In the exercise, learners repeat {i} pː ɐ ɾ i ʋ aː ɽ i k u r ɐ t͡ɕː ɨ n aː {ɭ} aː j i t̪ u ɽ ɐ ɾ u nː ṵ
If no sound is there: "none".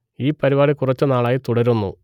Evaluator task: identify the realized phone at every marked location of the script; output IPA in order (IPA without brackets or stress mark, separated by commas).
iː, ɭ